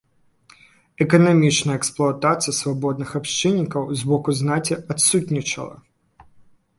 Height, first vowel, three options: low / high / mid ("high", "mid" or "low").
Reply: mid